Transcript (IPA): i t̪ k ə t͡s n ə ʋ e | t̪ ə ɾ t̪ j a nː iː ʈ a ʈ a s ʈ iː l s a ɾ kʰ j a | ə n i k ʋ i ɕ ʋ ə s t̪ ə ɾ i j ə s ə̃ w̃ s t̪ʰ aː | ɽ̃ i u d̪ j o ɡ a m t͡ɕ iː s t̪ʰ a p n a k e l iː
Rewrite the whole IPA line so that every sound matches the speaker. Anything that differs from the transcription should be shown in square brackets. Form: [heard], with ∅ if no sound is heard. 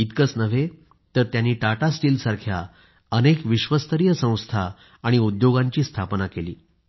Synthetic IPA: i t̪ k ə t͡s n ə ʋ e | t̪ ə ɾ t̪ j a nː iː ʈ a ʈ a s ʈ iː l s a ɾ kʰ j a | ə n [e] k ʋ i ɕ ʋ ə s t̪ ə ɾ i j ə s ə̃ w̃ s t̪ʰ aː | ɽ̃ i u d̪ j o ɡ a [ɲ] t͡ɕ iː s t̪ʰ a p n a k e l iː